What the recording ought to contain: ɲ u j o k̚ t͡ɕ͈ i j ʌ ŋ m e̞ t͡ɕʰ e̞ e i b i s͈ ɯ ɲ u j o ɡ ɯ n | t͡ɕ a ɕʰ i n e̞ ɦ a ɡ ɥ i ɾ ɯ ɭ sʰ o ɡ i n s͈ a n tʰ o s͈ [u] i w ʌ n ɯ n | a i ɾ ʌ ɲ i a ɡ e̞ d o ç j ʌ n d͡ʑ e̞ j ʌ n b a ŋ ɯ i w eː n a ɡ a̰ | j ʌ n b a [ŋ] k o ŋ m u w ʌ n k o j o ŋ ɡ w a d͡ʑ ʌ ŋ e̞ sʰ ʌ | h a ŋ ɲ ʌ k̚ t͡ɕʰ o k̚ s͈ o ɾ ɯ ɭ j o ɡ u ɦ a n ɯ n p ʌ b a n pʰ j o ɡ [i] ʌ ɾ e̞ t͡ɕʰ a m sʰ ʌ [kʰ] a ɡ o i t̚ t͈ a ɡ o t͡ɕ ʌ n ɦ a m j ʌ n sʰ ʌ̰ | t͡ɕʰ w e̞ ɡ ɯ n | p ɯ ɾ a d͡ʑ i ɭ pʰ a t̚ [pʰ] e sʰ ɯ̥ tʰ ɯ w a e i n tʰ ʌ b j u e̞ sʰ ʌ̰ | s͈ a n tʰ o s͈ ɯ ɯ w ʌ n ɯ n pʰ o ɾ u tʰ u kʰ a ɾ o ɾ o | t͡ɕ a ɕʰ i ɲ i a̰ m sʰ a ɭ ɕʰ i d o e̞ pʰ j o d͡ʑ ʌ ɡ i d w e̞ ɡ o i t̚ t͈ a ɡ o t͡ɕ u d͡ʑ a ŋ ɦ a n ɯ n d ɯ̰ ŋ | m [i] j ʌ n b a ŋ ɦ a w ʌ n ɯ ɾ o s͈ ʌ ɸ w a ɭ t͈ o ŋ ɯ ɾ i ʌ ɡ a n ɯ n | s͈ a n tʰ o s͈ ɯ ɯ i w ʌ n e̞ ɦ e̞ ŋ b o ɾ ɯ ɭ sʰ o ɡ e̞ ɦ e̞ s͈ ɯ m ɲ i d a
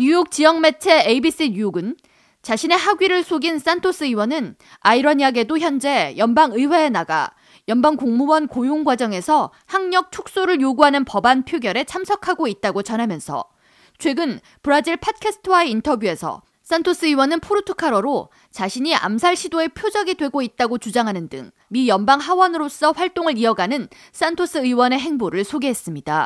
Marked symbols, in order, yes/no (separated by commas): no, yes, no, yes, no, yes